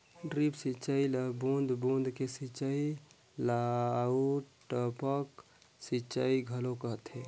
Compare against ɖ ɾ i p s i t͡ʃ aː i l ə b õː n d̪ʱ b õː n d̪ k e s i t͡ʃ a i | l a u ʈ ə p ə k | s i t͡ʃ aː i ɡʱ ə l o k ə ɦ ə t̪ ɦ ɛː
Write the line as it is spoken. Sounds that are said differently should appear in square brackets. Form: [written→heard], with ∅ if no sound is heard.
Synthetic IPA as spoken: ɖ ɾ i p s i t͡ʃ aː i l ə b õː n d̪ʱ b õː n d̪ k e s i t͡ʃ a i | l a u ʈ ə p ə k | s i t͡ʃ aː i ɡʱ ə l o k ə ɦ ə t̪ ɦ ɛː